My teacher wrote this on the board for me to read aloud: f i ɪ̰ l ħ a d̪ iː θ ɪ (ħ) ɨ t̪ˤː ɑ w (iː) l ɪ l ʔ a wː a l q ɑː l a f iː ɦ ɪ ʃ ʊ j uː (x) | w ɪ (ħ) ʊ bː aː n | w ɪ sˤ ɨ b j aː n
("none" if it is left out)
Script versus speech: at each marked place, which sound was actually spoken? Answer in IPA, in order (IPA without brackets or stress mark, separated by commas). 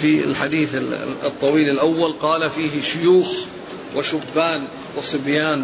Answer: none, iː, x, ʃ